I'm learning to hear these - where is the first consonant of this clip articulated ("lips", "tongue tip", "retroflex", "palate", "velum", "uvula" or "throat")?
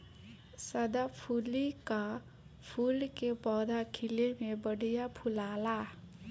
tongue tip